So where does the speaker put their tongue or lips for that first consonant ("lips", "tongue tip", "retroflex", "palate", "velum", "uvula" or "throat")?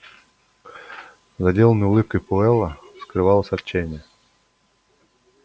tongue tip